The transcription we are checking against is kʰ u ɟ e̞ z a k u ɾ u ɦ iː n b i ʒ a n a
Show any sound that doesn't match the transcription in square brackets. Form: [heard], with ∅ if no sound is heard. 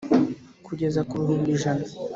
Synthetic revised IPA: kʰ u ɟ e̞ z a k u ɾ u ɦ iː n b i ʒ a n a